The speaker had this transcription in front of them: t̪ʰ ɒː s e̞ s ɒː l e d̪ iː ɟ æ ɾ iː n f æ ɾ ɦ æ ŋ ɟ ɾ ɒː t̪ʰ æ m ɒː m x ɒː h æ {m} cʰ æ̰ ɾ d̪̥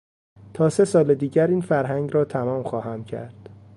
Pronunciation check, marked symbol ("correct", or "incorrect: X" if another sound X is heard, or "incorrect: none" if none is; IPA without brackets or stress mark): correct